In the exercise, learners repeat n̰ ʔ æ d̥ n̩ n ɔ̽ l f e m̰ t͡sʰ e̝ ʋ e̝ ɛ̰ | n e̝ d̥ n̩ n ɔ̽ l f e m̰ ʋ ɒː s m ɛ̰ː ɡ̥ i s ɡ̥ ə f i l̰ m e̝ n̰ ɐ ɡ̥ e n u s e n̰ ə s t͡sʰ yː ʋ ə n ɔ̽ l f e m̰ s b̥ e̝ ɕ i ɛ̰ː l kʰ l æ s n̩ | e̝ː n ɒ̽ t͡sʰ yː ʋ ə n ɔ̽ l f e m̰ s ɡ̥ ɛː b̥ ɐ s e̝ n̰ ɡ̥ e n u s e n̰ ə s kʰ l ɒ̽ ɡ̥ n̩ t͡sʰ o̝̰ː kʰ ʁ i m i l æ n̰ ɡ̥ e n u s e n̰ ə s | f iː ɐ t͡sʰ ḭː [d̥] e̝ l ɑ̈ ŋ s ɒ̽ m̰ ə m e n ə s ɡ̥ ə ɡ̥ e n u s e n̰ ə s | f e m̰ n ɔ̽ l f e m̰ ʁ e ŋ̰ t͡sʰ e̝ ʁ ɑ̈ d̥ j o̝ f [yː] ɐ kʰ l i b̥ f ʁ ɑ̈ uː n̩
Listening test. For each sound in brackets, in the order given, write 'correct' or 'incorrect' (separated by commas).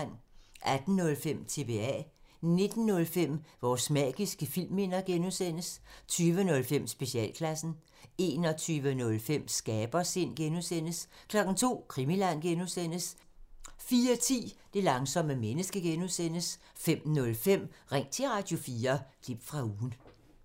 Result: correct, incorrect